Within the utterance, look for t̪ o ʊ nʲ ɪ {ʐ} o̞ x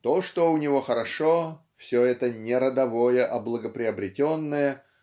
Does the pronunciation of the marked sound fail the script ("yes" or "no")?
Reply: yes